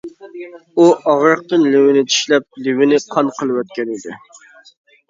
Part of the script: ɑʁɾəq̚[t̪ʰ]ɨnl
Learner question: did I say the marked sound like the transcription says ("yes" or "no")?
no